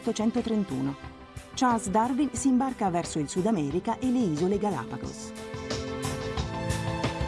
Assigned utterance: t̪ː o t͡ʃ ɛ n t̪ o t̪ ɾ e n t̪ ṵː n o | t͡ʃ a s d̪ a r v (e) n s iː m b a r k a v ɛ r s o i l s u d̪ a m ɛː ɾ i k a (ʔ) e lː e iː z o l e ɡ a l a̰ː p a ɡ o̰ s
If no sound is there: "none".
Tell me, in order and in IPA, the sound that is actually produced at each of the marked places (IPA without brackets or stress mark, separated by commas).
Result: i, ʔ